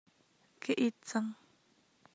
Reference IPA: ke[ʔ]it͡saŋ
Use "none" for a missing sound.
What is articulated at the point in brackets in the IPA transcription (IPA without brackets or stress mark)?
ʔ